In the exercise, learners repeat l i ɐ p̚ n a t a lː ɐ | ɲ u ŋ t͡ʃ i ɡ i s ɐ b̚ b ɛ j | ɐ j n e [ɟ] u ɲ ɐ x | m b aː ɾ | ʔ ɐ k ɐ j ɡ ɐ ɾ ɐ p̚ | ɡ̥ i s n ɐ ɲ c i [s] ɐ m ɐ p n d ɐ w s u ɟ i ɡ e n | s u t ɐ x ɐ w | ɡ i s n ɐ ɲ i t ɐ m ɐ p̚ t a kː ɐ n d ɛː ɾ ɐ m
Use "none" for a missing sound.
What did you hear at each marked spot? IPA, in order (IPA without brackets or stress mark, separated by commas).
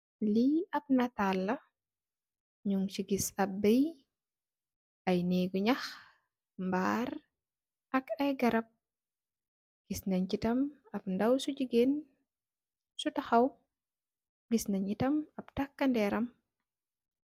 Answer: ɡ, t